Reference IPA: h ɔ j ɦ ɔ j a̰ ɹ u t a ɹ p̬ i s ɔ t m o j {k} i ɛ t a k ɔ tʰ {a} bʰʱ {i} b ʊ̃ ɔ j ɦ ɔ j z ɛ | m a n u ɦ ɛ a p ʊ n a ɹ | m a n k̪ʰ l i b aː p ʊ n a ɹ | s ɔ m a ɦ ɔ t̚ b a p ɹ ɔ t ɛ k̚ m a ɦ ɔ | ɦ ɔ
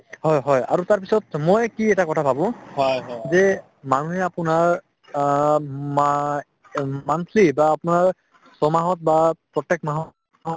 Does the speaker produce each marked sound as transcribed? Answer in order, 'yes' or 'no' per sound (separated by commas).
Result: yes, yes, no